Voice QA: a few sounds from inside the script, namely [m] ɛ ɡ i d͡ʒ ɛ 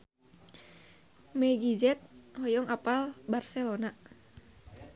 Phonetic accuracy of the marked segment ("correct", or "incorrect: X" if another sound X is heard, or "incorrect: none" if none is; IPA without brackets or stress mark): correct